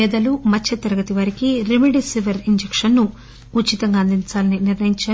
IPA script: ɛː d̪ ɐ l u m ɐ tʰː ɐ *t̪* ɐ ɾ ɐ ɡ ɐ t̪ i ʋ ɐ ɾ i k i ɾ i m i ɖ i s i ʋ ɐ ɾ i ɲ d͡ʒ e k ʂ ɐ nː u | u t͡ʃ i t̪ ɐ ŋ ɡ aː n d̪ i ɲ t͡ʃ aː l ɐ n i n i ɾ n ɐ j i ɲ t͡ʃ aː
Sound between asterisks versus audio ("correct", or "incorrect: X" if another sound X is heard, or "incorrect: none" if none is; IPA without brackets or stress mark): correct